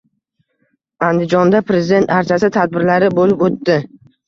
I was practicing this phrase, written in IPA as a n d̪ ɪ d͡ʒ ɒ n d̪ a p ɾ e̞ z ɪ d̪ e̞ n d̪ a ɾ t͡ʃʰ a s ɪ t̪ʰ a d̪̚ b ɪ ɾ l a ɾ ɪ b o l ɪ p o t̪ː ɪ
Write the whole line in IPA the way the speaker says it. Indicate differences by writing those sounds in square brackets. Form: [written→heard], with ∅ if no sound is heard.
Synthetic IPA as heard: a n d̪ ɪ d͡ʒ ɒ n d̪ a p ɾ e̞ z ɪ d̪ e̞ n [d̪→t̪] a ɾ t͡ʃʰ a s ɪ t̪ʰ a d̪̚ b ɪ ɾ l a ɾ ɪ b o l ɪ p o t̪ː ɪ